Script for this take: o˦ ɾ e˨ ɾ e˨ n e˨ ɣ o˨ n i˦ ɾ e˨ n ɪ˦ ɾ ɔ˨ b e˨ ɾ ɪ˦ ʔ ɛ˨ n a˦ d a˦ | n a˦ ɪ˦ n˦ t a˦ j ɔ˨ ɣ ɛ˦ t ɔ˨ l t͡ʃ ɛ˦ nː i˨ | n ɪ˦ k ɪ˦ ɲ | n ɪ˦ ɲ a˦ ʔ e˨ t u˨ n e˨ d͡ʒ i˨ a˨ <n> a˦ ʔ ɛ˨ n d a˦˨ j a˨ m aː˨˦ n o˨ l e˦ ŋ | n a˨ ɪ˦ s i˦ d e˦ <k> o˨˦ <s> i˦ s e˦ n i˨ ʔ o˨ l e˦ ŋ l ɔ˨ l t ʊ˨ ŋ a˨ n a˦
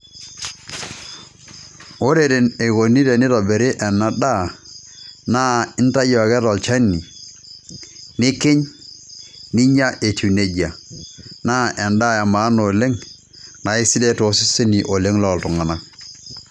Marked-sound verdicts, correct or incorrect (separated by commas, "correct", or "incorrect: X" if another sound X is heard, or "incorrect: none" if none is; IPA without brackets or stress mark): correct, incorrect: t, correct